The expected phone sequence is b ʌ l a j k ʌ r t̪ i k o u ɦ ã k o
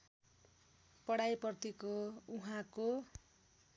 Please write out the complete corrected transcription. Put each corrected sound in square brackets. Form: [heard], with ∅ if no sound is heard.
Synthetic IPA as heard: [p] ʌ [ɽ] a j [p] ʌ r t̪ i k o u ɦ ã k o